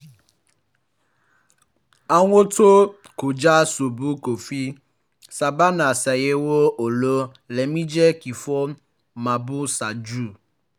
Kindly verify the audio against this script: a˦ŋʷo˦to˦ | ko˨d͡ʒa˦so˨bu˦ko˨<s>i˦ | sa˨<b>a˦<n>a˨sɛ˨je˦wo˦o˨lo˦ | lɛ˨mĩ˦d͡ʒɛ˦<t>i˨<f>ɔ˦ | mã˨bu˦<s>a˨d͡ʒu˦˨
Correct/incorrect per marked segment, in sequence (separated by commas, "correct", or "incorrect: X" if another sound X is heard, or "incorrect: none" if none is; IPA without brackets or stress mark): incorrect: f, correct, correct, incorrect: k, correct, correct